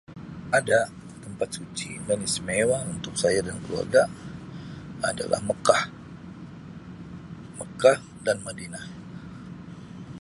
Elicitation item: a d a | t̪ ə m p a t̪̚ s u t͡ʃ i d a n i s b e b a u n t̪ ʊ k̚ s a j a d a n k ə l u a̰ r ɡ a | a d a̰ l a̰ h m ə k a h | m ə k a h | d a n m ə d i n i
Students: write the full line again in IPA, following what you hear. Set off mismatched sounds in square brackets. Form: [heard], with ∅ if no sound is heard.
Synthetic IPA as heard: a d a | t̪ ə m p a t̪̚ s u t͡ʃ i d a n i s [m] e [w] a u n t̪ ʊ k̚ s a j a d a n k ə l u a̰ r ɡ a | a d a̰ l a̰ h m ə k a h | m ə k a h | d a n m [a] d i n [a]